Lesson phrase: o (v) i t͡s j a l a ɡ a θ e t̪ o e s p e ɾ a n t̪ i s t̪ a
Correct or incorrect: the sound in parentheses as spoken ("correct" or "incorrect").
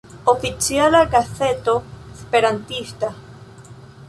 incorrect